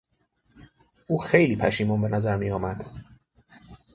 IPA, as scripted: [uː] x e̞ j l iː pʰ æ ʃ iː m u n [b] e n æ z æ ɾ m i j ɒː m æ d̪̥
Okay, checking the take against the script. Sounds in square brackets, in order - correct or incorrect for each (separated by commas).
correct, correct